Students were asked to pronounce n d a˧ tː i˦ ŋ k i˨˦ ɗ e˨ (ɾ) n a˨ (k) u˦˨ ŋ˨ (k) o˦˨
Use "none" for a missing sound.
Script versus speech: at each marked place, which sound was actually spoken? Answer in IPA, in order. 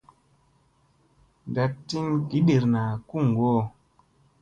ɾ, k, ɡ

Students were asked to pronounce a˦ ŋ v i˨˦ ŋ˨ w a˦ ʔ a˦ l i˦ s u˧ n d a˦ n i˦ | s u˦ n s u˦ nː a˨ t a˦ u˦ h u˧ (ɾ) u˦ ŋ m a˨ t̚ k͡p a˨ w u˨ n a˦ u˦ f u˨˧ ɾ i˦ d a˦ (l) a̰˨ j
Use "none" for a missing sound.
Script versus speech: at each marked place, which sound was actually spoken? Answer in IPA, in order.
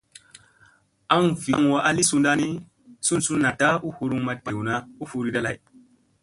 ɾ, l

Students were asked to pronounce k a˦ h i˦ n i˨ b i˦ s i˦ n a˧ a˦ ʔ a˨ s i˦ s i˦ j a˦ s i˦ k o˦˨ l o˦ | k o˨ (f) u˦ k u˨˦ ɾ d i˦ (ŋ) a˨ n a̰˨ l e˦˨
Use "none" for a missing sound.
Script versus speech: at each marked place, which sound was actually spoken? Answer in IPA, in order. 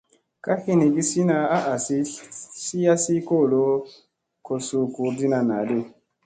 s, n

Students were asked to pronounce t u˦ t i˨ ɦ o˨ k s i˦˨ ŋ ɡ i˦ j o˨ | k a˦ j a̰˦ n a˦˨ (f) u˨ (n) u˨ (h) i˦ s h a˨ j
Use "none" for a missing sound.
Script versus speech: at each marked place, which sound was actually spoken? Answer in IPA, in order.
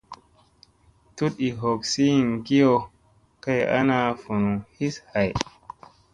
f, n, h

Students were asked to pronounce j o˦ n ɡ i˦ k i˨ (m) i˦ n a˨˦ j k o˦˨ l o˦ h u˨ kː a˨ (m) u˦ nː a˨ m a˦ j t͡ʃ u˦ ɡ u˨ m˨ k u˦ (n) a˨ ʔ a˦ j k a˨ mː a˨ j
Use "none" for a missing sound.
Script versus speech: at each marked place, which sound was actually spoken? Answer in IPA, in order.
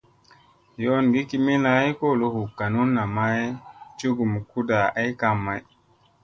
m, n, d

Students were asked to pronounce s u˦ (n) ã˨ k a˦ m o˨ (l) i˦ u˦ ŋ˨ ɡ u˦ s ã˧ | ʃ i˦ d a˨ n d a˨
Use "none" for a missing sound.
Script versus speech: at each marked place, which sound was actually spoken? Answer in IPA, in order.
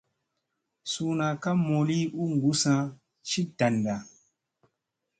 n, l

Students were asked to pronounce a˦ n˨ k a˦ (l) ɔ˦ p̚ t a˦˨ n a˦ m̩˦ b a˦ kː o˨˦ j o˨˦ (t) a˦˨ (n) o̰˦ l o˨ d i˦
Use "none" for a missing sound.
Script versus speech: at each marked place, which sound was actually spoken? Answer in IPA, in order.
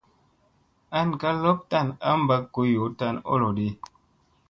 l, t, n

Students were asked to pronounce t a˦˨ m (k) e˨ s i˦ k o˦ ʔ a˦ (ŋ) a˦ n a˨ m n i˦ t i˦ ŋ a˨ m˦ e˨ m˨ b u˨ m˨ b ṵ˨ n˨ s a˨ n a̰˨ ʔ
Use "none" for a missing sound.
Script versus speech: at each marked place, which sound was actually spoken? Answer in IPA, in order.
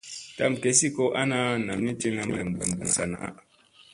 k, n

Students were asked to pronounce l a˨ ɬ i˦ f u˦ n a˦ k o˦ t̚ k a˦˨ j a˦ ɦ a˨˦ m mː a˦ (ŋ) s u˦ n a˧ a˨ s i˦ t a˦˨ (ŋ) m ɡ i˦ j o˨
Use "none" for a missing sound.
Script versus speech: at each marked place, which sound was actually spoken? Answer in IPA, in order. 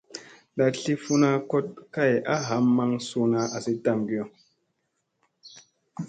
ŋ, none

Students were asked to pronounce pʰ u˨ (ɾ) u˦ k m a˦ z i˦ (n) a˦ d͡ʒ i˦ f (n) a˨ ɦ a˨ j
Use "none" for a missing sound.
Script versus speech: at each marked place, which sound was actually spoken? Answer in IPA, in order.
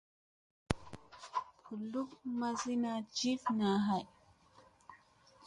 l, n, n

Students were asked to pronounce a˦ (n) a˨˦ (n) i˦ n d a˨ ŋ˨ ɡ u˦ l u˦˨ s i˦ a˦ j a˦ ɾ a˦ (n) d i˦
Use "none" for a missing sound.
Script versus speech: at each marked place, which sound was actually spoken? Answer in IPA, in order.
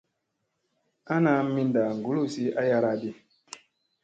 n, m, none

